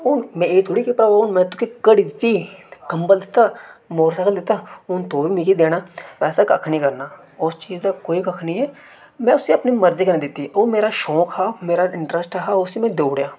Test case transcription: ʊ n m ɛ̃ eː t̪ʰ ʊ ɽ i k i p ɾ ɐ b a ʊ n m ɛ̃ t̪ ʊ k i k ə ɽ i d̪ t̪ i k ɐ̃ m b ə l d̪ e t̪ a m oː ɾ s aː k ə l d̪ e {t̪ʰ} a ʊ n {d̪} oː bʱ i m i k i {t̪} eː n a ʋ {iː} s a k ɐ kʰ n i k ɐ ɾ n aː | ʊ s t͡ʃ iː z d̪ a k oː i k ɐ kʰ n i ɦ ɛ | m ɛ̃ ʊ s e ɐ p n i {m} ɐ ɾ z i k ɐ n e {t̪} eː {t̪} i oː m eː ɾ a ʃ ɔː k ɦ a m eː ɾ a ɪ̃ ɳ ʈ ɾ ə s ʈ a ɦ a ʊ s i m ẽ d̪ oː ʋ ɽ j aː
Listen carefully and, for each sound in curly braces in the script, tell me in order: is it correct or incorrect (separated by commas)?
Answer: incorrect, incorrect, incorrect, incorrect, correct, incorrect, correct